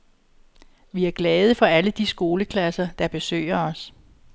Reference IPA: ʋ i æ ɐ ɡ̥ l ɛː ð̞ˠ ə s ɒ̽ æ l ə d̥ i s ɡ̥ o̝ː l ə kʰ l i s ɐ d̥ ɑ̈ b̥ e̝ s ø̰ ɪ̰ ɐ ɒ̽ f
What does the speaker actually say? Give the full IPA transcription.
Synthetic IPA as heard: ʋ i æ ɐ ɡ̥ l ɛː ð̞ˠ ə f ɒ̽ æ l ə d̥ i s ɡ̥ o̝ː l ə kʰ l æ s ɐ d̥ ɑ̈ b̥ e̝ s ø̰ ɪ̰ ɐ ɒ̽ s